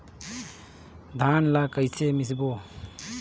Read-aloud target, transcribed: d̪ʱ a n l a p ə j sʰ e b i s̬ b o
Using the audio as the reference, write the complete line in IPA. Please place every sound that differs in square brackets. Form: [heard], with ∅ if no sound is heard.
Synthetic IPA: d̪ʱ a n l a [k] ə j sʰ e [m] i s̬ b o